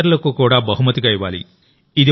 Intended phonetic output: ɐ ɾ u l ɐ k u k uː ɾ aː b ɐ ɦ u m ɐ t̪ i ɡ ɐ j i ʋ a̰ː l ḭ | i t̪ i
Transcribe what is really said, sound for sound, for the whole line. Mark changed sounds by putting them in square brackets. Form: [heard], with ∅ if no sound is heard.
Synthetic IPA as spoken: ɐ ɾ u l ɐ k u k uː [ɽ] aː b ɐ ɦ u m ɐ t̪ i ɡ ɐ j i ʋ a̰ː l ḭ | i [d̪] i